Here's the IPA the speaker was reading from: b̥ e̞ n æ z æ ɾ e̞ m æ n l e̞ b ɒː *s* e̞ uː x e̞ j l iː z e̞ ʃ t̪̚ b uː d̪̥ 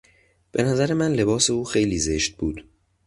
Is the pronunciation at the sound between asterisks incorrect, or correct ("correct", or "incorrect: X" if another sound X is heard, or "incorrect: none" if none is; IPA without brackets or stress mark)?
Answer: correct